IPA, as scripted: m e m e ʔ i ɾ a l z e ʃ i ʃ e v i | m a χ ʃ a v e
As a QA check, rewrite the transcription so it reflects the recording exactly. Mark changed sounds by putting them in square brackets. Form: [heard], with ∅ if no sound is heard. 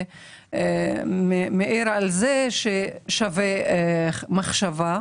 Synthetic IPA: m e m e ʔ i ɾ a l z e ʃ [e] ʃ [a] v [e] | m a χ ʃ a v [a]